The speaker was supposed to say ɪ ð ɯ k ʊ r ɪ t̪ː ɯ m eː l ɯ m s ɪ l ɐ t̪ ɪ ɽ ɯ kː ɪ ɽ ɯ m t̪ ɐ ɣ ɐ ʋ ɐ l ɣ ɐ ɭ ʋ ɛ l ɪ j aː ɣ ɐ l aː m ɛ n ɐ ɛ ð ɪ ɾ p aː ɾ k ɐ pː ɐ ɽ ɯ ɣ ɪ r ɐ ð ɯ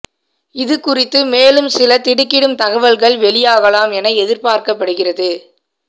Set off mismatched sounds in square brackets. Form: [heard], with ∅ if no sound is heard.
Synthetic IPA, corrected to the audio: ɪ ð ɯ k ʊ r ɪ t̪ː ɯ m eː l ɯ m s ɪ l ɐ t̪ ɪ ɽ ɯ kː ɪ ɽ ɯ m t̪ ɐ ɣ ɐ ʋ ɐ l ɣ ɐ ɭ ʋ ɛ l ɪ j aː ɣ ɐ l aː m ɛ n ɐ ɛ ð ɪ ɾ p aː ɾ k ɐ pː ɐ ɽ ɯ ɣ ɪ r ɐ ð ɯ